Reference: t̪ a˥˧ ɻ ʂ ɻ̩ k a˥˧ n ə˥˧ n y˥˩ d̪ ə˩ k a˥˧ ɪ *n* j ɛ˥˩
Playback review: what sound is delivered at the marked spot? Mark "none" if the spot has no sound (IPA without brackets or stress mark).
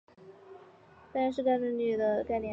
n